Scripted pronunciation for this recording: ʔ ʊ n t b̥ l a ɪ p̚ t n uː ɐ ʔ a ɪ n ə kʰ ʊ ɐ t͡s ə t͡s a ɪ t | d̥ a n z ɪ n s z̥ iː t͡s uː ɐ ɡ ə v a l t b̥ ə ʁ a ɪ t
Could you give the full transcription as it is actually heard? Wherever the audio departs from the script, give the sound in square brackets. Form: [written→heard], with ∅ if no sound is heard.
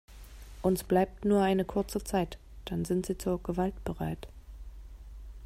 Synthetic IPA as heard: ʔ ʊ n [t→s] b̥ l a ɪ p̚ t n uː ɐ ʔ a ɪ n ə kʰ ʊ ɐ t͡s ə t͡s a ɪ t | d̥ a n z ɪ n [s→t] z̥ iː t͡s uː ɐ ɡ ə v a l t b̥ ə ʁ a ɪ t